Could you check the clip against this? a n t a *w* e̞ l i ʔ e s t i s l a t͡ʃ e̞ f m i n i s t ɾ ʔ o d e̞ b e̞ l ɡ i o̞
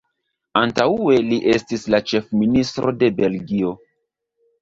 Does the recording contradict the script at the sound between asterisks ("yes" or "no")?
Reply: yes